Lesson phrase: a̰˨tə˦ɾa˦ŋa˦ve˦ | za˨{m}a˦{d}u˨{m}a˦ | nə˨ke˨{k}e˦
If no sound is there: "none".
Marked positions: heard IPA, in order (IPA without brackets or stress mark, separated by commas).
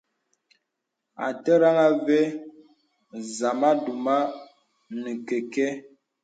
m, d, m, k